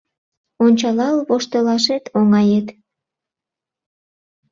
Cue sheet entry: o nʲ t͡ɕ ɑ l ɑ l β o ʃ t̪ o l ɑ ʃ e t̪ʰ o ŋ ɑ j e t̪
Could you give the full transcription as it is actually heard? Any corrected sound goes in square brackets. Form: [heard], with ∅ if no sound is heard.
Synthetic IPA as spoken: o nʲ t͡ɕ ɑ l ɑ l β o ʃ t̪ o l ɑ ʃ e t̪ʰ o ŋ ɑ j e t̪